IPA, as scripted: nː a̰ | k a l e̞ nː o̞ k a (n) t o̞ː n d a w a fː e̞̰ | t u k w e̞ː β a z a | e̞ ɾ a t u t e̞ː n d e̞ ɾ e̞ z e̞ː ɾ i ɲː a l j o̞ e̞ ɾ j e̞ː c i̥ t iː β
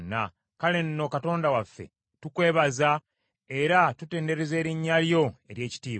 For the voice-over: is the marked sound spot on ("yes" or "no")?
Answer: no